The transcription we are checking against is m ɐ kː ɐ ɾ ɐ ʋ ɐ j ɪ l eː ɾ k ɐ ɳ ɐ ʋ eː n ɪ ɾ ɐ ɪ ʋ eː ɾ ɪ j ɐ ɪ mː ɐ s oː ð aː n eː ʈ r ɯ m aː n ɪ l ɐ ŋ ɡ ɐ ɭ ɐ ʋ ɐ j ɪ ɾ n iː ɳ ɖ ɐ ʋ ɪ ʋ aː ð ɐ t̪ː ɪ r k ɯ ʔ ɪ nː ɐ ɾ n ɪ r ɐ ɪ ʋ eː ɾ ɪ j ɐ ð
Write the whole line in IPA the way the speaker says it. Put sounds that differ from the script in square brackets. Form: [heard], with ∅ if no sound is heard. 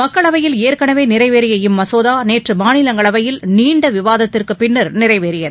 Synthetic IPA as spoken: m ɐ kː ɐ [ɭ] ɐ ʋ ɐ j ɪ l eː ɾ k ɐ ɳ ɐ ʋ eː n ɪ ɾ ɐ ɪ ʋ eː ɾ ɪ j ɐ ɪ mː ɐ s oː ð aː n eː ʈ r ɯ m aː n ɪ l ɐ ŋ ɡ ɐ ɭ ɐ ʋ ɐ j ɪ [l] n iː ɳ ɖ ɐ ʋ ɪ ʋ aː ð ɐ t̪ː ɪ r k ɯ [p] ɪ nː ɐ ɾ n ɪ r ɐ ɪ ʋ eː ɾ ɪ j ɐ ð